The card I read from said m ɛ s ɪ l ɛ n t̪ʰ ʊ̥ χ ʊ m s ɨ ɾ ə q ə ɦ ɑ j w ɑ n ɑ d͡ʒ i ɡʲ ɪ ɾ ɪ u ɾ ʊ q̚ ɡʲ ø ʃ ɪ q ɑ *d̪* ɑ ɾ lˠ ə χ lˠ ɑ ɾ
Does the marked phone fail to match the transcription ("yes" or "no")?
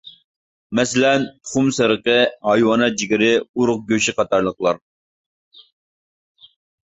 yes